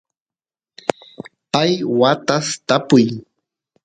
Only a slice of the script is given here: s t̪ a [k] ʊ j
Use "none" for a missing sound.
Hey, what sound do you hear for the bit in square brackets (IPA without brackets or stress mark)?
p